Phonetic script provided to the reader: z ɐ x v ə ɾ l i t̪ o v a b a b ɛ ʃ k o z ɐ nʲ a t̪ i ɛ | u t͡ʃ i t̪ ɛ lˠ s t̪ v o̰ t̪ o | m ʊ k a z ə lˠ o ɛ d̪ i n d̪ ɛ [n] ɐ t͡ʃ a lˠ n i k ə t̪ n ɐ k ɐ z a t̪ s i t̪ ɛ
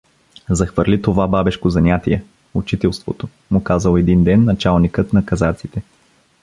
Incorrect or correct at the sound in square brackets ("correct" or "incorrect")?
incorrect